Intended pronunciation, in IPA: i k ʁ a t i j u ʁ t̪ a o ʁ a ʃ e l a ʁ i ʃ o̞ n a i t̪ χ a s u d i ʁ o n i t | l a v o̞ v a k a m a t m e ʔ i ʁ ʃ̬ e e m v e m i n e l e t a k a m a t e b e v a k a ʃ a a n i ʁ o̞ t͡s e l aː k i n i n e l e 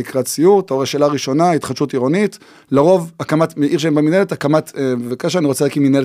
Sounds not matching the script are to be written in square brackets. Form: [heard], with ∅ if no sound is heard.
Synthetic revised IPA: i k ʁ a [t͡s] i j u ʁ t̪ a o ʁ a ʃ e l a ʁ i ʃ o̞ n a i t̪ χ a [ʃ] u [t] i ʁ o n i t | l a [ʁ] o̞ v a k a m a t m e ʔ i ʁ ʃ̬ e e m [b] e m i n e l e t a k a m a t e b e v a k a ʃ a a n i ʁ o̞ t͡s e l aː k i [m] i n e l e